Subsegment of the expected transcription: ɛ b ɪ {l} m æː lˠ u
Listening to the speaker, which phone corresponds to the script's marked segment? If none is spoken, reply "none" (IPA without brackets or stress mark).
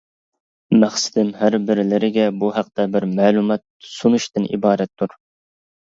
ɾ